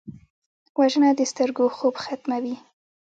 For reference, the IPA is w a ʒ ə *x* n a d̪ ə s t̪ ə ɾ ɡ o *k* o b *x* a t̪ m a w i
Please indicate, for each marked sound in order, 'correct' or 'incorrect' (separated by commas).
incorrect, incorrect, correct